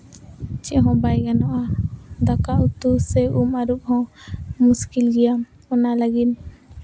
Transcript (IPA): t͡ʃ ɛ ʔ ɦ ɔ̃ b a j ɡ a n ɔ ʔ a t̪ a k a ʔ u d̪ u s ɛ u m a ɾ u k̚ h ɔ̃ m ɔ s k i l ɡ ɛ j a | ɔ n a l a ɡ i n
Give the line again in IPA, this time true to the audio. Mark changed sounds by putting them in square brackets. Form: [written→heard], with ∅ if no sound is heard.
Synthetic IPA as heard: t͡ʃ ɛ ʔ ɦ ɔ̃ b a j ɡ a n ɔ ʔ a [t̪→d̪] a k a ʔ u [d̪→t̪] u s ɛ u m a ɾ u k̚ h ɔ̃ m [ɔ→u] s k i l ɡ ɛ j a | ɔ n a l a ɡ i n